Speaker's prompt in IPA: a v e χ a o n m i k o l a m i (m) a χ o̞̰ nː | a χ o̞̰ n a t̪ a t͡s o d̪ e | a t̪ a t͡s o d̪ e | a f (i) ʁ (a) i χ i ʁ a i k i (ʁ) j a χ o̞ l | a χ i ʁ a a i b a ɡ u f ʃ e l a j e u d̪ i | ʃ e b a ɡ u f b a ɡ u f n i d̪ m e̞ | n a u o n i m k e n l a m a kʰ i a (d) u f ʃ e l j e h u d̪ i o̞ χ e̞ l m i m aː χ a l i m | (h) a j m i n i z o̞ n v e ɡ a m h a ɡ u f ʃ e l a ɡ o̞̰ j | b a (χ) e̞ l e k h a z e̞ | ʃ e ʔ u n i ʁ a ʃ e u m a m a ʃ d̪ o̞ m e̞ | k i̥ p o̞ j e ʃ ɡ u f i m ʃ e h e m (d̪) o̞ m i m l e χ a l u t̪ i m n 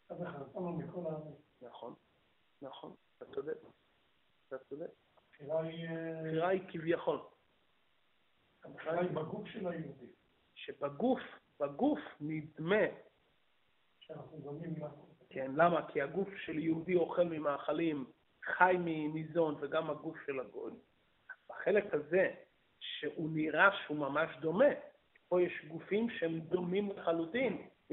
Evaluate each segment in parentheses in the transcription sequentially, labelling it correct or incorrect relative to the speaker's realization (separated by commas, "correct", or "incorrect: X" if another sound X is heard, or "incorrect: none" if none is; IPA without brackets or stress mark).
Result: incorrect: n, correct, correct, incorrect: v, incorrect: ɡ, incorrect: χ, correct, correct